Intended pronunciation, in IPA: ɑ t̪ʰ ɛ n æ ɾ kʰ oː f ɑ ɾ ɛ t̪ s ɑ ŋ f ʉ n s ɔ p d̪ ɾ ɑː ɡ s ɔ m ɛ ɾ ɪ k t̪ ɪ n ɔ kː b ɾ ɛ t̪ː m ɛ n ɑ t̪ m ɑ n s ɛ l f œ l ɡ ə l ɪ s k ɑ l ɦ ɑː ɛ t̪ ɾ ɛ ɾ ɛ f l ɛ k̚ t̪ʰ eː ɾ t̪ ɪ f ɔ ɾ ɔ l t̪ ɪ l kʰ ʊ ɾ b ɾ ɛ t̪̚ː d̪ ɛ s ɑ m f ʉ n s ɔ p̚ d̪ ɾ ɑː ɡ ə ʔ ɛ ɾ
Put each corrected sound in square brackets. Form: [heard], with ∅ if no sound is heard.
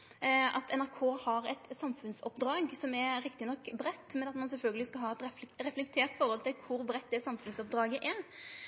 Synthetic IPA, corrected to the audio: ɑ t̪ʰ ɛ n æ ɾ kʰ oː [h] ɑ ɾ ɛ t̪ s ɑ [m] f ʉ n s ɔ p d̪ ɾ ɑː ɡ s ɔ m ɛ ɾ ɪ k t̪ ɪ n ɔ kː b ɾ ɛ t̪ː m ɛ n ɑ t̪ m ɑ n s ɛ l f œ l ɡ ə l ɪ s k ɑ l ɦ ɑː ɛ t̪ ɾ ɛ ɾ ɛ f l ɛ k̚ t̪ʰ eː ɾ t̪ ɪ f ɔ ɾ ɔ l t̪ ɪ l kʰ ʊ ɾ b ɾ ɛ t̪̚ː d̪ ɛ s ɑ m f ʉ n s ɔ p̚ d̪ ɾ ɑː ɡ ə ʔ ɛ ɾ